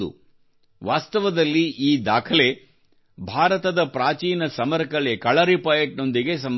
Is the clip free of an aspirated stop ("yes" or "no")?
no